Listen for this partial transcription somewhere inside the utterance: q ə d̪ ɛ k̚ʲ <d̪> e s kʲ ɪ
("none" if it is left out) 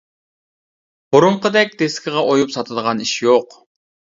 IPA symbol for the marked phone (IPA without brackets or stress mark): d̪